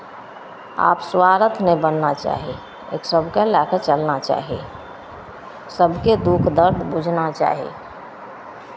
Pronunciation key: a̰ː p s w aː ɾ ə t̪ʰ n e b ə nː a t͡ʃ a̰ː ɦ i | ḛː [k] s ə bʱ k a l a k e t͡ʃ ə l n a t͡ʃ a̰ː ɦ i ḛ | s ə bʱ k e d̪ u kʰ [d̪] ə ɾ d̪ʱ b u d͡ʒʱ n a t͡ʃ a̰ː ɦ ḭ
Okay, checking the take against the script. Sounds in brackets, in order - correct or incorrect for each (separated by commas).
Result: correct, correct